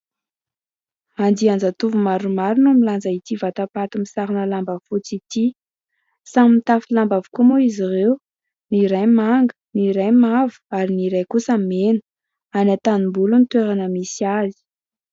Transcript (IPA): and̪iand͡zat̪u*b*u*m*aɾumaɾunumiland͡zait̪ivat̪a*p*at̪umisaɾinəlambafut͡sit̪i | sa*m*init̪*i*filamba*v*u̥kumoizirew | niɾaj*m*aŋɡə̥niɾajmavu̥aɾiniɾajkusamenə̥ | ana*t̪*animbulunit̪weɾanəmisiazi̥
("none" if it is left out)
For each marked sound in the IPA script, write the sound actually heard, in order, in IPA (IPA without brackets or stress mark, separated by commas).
v, m, p, m, a, v, m, t̪